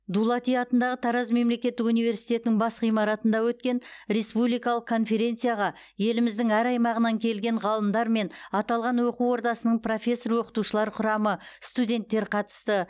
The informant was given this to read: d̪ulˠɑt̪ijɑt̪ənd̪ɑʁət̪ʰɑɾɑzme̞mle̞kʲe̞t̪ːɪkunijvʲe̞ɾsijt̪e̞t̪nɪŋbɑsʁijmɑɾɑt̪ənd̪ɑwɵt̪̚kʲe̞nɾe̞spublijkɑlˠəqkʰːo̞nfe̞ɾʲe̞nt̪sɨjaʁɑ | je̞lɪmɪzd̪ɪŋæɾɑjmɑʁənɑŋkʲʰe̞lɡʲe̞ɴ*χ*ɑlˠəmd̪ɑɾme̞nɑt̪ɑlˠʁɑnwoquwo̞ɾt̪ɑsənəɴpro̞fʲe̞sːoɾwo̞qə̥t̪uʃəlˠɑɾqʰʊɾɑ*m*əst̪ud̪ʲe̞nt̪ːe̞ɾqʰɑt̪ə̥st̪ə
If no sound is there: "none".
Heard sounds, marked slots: ʁ, m

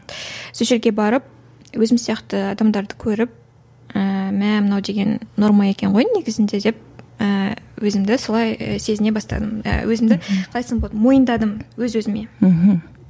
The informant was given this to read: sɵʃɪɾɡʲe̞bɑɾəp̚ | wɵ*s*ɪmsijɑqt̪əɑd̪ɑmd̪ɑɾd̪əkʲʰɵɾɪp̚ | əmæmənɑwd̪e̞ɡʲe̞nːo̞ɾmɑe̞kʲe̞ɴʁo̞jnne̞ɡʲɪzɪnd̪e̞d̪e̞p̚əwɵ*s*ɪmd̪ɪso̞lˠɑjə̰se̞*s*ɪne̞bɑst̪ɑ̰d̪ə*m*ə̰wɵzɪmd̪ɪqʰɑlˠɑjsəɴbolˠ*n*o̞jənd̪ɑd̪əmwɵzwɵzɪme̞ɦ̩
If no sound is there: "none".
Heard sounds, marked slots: z, z, z, m, m

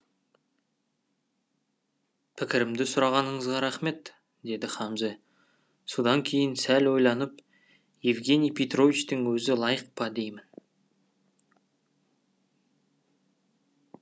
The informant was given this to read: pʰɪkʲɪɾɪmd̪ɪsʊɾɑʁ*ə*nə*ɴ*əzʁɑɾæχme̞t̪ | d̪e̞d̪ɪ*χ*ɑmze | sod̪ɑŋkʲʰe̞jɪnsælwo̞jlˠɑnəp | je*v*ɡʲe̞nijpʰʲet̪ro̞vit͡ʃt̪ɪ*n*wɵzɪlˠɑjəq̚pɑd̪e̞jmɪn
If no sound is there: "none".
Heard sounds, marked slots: ɑ, ɴ, χ, v, ŋ

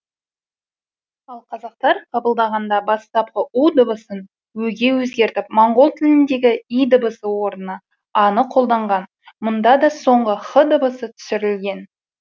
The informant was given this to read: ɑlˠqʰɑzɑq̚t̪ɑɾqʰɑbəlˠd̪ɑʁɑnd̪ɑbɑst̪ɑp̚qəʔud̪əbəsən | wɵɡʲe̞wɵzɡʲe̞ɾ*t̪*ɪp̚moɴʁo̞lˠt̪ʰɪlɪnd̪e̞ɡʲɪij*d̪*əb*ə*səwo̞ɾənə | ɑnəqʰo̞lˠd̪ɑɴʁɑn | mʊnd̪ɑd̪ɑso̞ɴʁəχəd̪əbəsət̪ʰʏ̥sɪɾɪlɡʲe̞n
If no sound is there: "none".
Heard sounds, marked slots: t̪, d̪, ə

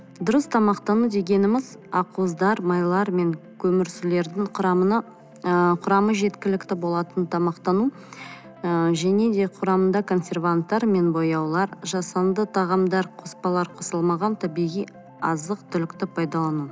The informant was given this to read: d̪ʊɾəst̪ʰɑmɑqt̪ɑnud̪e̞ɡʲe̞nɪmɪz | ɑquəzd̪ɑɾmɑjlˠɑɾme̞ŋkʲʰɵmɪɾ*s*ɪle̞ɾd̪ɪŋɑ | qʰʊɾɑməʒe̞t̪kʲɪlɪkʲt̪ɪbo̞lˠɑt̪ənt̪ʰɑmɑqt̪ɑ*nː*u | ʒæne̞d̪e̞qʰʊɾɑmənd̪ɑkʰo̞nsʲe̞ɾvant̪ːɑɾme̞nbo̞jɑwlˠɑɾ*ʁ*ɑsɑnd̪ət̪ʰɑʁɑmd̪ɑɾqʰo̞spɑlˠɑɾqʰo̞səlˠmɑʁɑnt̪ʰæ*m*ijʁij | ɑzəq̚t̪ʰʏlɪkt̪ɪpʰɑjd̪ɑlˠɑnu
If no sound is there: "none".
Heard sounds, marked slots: s, n, ʒ, b

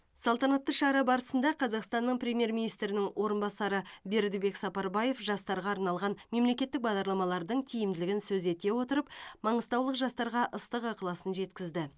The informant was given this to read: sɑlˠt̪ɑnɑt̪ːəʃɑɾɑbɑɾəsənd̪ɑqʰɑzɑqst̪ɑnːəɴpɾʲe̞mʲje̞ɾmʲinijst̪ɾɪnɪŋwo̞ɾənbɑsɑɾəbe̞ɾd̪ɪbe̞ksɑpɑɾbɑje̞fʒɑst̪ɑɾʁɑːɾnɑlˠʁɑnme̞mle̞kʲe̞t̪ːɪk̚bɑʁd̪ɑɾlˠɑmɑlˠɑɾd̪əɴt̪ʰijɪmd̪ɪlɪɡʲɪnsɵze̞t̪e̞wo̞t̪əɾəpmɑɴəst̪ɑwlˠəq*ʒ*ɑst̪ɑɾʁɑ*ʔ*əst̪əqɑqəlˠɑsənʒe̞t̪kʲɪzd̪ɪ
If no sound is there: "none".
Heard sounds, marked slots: ʒ, ʔ

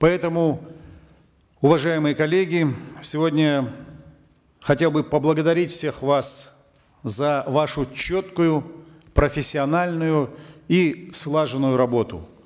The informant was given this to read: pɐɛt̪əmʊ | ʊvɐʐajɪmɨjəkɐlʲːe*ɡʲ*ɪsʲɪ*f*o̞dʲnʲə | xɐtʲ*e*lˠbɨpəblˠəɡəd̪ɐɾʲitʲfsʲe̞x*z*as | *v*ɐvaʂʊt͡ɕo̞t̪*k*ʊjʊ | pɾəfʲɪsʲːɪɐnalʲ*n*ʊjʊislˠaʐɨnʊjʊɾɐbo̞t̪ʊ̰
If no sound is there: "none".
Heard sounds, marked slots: ɡʲ, v, e, v, z, k, n

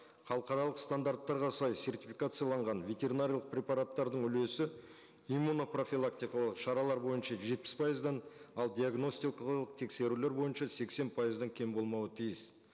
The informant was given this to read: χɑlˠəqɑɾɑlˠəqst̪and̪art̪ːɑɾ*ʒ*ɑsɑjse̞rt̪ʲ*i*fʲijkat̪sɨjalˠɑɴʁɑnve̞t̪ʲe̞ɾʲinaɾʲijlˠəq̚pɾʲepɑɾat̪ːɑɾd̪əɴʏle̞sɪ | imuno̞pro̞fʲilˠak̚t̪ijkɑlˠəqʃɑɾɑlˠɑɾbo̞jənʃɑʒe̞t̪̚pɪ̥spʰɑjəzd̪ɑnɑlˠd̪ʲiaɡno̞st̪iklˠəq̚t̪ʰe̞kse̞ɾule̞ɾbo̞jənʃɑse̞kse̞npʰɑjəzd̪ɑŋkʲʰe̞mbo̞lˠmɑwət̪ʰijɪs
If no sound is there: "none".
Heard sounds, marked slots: ʁ, i

